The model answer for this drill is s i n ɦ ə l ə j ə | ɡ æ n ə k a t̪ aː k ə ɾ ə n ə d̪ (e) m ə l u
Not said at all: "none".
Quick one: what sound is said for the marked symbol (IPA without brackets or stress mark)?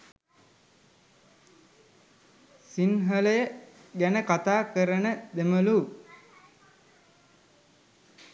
e